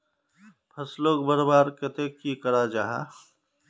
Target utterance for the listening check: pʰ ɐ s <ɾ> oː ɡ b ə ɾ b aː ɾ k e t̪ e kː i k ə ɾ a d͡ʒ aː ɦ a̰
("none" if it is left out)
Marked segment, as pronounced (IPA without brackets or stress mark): l